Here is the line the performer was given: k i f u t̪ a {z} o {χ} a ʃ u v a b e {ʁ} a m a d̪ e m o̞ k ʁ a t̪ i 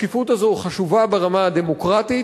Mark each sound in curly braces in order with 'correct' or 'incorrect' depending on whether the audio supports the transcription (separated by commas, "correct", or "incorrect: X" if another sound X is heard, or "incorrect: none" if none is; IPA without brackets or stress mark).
correct, correct, correct